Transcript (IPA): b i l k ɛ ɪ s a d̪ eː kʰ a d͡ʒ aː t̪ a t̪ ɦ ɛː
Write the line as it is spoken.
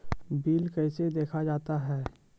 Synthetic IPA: b iː l k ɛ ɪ s e d̪ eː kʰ a d͡ʒ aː t̪ a ɦ ɛː

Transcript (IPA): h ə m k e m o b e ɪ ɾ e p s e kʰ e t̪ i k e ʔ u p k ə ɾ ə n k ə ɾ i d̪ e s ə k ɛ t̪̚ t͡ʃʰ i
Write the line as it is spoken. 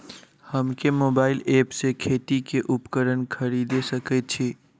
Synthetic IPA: h ə m k e m o b a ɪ l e p s e kʰ e t̪ i k e ʔ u p k ə ɾ ə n kʰ ə ɾ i d̪ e s ə k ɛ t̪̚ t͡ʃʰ i

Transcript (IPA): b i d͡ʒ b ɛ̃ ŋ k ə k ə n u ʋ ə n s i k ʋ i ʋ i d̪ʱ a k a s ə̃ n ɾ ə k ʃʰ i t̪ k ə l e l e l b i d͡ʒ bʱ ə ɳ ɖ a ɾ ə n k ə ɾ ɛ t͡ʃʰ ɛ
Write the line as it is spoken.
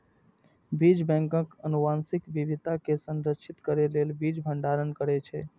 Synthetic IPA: b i d͡ʒ b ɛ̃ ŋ k ə k ə n u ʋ a n s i k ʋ i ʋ i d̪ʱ a k e s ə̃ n ɾ ə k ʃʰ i t̪ k ə ɾ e l e l b i d͡ʒ bʱ ə ɳ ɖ a ɾ ə n k ə ɾ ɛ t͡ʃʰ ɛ

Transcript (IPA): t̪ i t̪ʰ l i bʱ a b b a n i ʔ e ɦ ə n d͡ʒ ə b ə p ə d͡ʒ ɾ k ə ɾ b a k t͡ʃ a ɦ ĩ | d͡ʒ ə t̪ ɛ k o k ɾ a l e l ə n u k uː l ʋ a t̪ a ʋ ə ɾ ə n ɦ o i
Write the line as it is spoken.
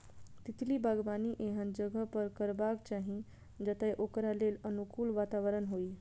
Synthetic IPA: t̪ i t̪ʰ l i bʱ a ɡ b a n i ʔ e ɦ ə n d͡ʒ ə ɡ ə p ə ɾ k ə ɾ b a k t͡ʃ a ɦ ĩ | d͡ʒ ə t̪ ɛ ʔ o k ɾ a l e l ə n u k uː l ʋ a t̪ a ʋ ə ɾ ə n ɦ o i

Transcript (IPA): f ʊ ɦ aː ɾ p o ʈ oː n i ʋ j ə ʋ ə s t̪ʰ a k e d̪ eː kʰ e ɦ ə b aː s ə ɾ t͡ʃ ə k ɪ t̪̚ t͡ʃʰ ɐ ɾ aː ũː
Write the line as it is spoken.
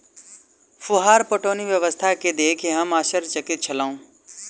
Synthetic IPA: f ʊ ɦ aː ɾ p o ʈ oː n i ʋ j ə ʋ ə s t̪ʰ a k e d̪ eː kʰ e ɦ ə m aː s ə ɾ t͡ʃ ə k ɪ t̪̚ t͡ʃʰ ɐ l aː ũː

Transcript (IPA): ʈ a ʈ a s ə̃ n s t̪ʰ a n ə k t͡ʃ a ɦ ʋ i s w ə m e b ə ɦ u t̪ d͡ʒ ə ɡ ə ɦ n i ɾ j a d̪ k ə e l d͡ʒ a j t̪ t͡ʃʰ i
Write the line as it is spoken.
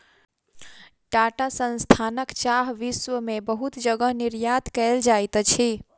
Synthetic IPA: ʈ a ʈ a s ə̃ n s t̪ʰ a n ə k t͡ʃ a ɦ ʋ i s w ə m e b ə ɦ u t̪ d͡ʒ ə ɡ ə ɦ n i ɾ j a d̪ k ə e l d͡ʒ a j t̪ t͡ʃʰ i

